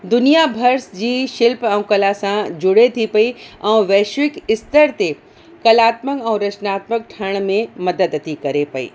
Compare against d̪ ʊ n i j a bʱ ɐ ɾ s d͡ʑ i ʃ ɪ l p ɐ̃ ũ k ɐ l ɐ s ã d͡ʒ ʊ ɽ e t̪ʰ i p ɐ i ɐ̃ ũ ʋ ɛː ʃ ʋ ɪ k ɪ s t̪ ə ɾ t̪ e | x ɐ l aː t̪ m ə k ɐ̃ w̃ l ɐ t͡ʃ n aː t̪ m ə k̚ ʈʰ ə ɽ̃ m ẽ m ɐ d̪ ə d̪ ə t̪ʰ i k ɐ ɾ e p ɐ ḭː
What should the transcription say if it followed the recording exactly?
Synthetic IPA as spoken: d̪ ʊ n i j a bʱ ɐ ɾ s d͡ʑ i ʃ ɪ l p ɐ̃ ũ k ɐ l a s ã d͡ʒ ʊ ɽ e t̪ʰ i p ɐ i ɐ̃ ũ ʋ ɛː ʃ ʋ ɪ k ɪ s t̪ ə ɾ t̪ e | k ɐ l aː t̪ m ə k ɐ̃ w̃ ɾ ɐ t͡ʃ n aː t̪ m ə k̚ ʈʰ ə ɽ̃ m ẽ m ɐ d̪ ə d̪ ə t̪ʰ i k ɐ ɾ e p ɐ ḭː